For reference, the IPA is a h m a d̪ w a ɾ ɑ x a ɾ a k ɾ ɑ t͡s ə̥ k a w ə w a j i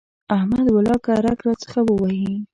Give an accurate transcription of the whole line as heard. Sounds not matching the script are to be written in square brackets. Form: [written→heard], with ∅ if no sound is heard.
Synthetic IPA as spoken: a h m a d̪ w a [ɾ→l] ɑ [x→k] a ɾ a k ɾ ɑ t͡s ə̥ [k→x] a w ə w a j i